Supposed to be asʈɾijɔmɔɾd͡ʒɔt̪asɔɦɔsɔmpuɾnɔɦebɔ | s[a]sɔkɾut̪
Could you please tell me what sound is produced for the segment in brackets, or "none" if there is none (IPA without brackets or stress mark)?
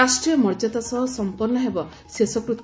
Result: e